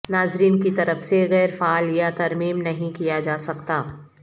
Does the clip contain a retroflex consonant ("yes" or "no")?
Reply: no